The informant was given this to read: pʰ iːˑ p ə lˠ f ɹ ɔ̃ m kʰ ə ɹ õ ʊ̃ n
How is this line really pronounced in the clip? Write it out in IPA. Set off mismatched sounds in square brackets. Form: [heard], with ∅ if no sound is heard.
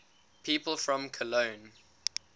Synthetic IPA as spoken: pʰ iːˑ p ə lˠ f ɹ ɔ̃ m kʰ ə [l] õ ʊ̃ n